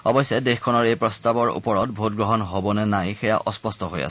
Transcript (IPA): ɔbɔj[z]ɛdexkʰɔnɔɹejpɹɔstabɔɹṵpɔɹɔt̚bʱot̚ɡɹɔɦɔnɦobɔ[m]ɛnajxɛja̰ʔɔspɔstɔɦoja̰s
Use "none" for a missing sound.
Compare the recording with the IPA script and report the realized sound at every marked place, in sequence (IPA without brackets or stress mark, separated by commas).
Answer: s, n